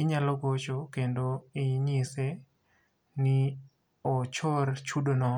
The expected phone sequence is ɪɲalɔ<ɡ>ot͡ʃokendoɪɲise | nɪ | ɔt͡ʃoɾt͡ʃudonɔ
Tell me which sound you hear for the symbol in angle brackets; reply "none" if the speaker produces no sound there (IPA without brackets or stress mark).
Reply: ɡ